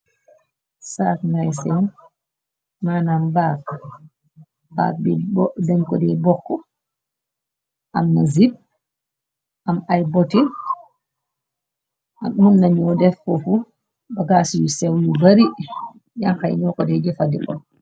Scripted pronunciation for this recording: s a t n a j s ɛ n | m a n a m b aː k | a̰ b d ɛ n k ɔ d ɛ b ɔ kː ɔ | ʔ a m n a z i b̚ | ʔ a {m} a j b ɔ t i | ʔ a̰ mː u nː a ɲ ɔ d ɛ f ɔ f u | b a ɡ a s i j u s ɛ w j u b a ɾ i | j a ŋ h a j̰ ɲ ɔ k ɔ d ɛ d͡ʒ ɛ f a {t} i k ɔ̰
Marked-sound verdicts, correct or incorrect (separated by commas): correct, incorrect